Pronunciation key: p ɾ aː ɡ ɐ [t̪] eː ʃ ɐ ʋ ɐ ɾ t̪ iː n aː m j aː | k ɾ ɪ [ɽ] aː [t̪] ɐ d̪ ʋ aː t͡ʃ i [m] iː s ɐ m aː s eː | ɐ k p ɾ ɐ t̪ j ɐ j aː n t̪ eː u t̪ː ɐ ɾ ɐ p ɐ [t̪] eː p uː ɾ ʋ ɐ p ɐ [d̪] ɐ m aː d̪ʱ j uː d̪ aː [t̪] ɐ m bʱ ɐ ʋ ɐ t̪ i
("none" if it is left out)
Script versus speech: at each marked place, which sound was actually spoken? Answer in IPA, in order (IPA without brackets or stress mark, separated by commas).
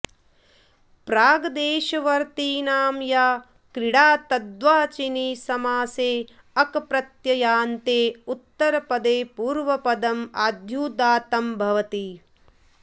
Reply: d̪, ɽ, t̪, n, d̪, d̪, t̪